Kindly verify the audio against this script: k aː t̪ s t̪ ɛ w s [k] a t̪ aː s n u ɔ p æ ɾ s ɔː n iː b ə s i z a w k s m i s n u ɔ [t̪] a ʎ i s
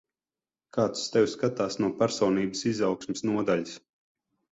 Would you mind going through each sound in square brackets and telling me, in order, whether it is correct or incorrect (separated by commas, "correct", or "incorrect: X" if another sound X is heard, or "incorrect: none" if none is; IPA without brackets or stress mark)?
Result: correct, incorrect: d̪